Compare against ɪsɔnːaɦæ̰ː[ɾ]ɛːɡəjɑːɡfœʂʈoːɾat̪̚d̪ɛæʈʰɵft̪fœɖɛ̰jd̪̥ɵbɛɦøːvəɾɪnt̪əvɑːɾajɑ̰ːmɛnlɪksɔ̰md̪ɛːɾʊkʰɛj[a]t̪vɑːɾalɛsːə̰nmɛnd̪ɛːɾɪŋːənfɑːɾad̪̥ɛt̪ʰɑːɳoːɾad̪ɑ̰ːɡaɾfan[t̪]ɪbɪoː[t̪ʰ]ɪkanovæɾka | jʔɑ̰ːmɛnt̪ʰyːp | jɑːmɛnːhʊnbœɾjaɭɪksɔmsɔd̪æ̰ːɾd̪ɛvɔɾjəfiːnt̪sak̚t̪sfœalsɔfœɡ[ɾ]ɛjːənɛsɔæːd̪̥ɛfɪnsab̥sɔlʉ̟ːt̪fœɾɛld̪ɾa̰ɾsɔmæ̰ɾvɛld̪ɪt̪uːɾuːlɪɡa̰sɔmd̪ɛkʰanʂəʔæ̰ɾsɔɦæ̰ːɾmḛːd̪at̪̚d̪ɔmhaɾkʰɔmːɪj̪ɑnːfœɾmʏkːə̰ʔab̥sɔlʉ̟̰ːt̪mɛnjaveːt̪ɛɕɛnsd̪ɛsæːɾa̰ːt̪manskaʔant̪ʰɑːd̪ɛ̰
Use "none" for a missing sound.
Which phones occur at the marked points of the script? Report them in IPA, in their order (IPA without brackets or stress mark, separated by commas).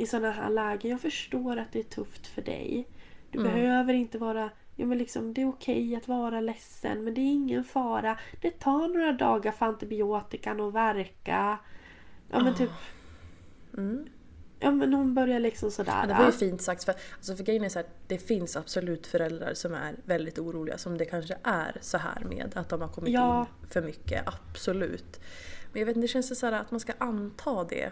ɭ, a, t̪, t̪, ɾ